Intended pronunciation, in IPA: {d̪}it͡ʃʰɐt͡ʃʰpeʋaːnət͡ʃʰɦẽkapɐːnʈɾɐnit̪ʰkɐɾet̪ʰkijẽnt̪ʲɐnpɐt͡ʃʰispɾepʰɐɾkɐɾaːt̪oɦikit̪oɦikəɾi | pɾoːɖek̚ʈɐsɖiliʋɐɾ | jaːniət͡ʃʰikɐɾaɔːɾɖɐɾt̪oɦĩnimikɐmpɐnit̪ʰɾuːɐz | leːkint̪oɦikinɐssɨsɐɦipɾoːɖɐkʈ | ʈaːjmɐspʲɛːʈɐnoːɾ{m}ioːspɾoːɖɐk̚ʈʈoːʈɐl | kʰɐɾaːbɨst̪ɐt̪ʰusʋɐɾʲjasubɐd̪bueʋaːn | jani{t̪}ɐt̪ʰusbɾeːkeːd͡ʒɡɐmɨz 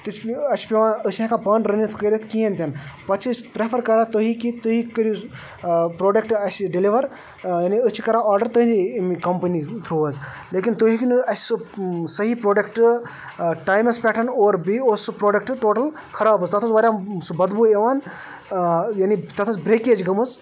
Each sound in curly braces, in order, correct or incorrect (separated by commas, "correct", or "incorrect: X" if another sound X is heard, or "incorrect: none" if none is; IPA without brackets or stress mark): incorrect: t̪, incorrect: b, correct